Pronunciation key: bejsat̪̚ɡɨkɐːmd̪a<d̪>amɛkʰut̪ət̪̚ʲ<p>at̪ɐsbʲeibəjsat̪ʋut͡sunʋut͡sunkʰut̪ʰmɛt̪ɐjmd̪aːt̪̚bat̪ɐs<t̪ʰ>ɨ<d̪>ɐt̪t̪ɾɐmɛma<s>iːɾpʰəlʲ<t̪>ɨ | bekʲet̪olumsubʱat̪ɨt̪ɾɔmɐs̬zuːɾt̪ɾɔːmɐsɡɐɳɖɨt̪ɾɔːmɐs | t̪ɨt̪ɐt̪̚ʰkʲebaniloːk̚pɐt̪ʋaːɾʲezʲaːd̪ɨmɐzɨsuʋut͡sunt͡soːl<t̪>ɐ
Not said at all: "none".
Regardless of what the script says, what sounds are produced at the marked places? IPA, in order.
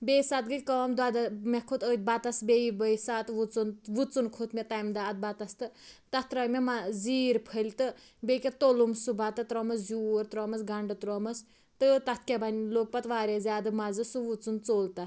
d̪, b, t̪, t̪, z, t̪, t̪

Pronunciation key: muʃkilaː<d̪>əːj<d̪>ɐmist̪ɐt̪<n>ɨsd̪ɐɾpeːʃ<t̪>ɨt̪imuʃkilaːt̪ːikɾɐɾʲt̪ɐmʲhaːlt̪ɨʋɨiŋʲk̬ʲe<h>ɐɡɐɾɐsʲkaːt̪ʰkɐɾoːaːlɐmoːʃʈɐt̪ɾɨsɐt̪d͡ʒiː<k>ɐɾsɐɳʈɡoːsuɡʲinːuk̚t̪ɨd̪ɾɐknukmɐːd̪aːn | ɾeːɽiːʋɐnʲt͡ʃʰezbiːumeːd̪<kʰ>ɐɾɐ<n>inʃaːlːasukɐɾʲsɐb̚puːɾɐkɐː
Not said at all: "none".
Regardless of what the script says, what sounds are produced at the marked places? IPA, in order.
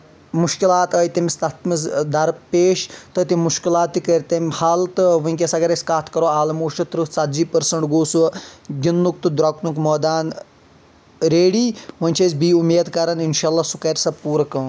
t̪, t̪, m, t̪, s, p, k, n

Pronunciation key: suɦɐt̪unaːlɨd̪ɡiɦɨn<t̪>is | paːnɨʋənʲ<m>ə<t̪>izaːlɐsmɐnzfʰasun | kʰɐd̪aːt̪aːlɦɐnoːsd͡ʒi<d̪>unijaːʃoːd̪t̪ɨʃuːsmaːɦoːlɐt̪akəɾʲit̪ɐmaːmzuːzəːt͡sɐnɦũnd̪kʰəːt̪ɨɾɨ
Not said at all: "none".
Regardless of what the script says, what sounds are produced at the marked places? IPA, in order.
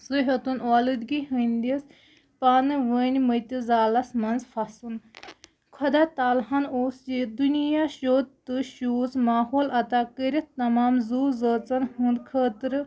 d̪, m, t̪, d̪

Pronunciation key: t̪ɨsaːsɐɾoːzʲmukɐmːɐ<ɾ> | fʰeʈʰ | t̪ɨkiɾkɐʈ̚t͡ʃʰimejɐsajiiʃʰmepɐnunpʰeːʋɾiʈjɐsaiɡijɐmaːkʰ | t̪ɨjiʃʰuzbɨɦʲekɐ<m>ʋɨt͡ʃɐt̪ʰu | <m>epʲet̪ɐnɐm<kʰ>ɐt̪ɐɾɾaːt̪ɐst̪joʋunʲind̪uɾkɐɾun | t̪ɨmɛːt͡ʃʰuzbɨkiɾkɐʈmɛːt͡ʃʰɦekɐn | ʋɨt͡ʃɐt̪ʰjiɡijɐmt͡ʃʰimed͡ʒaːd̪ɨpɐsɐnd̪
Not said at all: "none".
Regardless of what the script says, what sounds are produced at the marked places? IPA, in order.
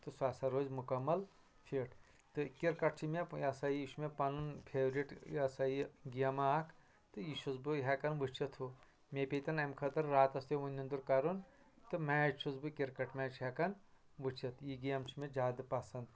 l, n, m, kʰ

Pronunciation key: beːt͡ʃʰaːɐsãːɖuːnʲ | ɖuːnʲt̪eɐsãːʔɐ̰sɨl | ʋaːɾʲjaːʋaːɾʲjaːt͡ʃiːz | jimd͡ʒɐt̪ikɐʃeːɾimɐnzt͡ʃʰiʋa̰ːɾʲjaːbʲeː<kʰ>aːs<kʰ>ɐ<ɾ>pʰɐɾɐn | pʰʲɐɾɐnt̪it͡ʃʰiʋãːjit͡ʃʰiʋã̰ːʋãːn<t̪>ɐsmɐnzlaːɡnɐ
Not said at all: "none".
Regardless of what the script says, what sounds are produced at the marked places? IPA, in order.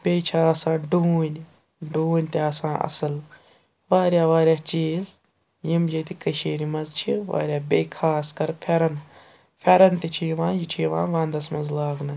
kʰ, k, ɾ, d̪

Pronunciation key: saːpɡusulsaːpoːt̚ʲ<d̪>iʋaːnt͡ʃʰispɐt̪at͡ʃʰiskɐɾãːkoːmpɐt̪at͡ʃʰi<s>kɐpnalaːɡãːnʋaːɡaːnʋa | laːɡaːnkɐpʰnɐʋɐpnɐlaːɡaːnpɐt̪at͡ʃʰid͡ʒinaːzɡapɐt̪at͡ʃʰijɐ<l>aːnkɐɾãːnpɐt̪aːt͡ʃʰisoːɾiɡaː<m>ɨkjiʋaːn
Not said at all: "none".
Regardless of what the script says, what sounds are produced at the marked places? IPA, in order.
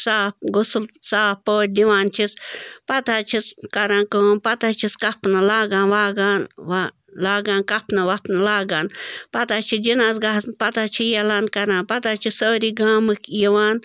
d̪, s, l, m

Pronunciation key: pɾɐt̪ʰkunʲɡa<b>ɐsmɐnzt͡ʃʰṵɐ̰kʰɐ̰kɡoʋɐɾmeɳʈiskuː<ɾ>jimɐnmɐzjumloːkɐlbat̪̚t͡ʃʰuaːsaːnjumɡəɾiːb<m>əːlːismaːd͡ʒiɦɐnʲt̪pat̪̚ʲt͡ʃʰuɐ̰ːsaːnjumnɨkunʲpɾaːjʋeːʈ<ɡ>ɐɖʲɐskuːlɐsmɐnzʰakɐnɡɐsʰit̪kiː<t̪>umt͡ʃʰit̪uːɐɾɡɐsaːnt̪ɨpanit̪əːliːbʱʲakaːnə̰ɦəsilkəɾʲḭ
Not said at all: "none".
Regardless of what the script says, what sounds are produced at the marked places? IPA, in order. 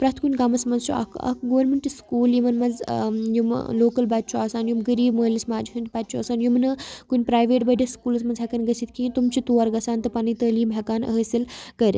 m, l, m, b, t̪

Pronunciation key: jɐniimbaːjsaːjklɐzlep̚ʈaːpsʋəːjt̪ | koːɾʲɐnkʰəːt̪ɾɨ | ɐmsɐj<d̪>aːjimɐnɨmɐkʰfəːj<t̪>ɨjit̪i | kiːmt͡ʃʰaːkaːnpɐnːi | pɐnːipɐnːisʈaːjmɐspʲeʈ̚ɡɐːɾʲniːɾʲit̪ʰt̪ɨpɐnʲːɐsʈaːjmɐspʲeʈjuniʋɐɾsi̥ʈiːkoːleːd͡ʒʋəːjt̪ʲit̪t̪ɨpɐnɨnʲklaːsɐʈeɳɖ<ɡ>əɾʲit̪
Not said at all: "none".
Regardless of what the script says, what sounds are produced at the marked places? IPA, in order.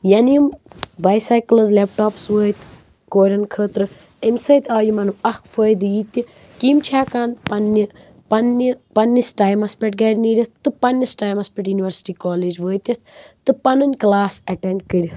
t̪, d̪, k

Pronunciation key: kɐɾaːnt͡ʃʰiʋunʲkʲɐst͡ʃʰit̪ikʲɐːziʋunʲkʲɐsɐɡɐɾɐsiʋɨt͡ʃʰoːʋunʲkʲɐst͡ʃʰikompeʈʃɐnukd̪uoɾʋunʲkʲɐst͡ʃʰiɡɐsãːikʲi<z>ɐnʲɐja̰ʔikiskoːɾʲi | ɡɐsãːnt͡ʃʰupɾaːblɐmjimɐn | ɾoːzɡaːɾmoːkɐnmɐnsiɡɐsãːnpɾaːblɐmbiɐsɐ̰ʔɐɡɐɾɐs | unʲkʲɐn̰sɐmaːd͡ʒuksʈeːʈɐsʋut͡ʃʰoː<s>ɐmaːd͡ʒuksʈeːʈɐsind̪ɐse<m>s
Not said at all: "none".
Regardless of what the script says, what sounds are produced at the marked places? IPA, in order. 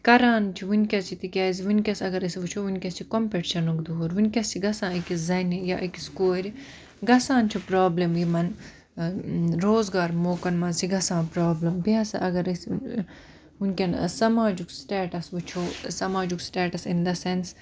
z, s, n

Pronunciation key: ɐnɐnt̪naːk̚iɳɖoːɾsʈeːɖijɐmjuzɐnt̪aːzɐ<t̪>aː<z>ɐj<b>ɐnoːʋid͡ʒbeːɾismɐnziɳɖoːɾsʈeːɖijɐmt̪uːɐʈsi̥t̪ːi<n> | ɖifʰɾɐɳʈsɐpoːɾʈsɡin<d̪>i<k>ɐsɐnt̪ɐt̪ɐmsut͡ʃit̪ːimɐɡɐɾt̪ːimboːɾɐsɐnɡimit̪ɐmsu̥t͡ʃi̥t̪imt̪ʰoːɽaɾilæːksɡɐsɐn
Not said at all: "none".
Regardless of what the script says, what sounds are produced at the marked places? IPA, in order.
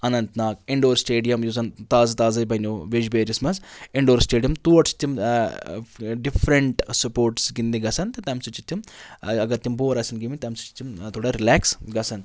t̪, z, b, m, d̪, ɡ

